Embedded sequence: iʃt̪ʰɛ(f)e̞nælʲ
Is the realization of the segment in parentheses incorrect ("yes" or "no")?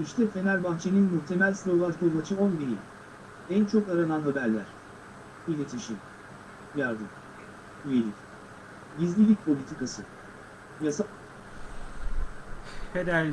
no